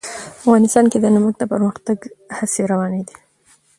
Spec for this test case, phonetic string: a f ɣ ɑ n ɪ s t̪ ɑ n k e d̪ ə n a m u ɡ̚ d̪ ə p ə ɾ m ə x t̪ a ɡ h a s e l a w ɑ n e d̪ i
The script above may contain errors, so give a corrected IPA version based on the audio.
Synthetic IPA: a f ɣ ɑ n ɪ s t̪ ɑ n k e d̪ ə n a m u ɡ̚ d̪ ə p ə ɾ m ə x t̪ a ɡ h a s e ɾ a w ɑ n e d̪ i